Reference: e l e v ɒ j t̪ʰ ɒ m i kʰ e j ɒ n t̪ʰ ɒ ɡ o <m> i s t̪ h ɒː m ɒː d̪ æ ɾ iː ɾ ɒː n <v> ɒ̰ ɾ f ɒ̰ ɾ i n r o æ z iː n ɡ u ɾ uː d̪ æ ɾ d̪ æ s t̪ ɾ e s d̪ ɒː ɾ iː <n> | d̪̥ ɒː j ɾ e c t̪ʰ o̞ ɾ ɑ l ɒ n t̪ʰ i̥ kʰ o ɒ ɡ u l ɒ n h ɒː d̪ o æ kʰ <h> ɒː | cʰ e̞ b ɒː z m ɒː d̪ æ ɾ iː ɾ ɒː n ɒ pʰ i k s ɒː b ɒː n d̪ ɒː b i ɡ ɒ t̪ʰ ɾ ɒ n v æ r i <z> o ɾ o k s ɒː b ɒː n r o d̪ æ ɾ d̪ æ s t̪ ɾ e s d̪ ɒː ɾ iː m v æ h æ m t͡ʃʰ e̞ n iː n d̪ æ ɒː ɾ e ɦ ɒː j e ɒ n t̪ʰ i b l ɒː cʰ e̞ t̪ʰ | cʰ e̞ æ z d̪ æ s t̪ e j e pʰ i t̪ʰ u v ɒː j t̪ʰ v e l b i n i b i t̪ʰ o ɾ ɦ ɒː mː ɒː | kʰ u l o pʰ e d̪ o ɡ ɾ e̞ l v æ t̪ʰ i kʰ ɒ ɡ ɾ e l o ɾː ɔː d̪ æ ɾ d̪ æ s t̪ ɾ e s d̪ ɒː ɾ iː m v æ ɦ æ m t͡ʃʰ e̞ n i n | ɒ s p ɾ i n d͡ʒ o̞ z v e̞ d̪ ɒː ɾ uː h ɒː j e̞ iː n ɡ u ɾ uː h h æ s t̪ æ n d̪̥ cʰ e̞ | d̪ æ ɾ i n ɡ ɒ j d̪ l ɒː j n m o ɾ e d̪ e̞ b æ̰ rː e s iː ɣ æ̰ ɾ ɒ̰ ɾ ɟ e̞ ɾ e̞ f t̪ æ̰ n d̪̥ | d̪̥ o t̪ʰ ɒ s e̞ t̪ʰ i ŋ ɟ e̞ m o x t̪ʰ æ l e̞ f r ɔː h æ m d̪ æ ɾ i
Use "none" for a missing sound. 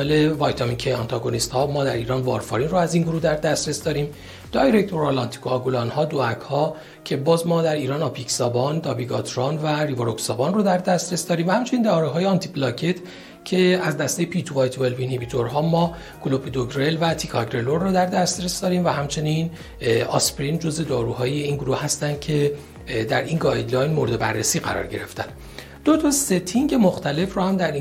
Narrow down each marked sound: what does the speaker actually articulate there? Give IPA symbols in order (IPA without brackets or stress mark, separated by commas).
n, v, m, h, v